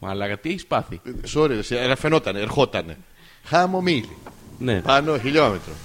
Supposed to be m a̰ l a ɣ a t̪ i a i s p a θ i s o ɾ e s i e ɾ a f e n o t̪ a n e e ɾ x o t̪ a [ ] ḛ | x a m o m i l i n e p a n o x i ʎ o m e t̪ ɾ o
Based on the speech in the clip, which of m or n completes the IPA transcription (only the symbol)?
n